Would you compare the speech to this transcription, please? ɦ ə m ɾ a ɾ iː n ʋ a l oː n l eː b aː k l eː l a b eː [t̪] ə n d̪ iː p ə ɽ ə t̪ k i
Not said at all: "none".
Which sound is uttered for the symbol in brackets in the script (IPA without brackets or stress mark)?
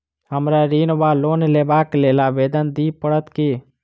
d̪